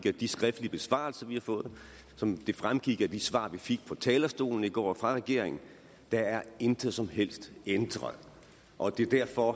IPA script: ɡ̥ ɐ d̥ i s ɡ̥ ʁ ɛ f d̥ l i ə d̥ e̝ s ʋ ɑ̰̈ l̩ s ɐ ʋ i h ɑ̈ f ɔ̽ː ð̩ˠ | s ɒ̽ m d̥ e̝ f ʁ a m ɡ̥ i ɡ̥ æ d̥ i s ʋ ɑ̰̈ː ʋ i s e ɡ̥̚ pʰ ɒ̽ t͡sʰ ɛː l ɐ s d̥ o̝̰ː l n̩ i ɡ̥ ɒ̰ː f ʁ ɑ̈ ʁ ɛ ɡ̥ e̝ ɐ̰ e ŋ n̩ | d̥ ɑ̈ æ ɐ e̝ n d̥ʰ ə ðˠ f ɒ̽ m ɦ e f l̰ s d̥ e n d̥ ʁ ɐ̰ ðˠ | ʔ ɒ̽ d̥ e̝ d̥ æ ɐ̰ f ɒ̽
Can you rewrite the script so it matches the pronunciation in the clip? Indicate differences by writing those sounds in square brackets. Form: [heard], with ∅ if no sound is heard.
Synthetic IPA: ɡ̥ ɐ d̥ i s ɡ̥ ʁ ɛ f d̥ l i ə [b̥] e̝ s ʋ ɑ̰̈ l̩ s ɐ ʋ i h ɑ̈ f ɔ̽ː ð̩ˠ | s ɒ̽ m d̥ e̝ f ʁ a m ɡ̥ i ɡ̥ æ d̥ i s ʋ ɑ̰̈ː ʋ i [f] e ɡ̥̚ pʰ ɒ̽ t͡sʰ ɛː l ɐ s d̥ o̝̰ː l n̩ i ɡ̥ ɒ̰ː f ʁ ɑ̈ ʁ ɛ ɡ̥ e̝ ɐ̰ e ŋ n̩ | d̥ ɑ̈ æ ɐ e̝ n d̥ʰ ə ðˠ [s] ɒ̽ m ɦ e [∅] l̰ s d̥ e n d̥ ʁ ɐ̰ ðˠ | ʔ ɒ̽ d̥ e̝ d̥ æ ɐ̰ f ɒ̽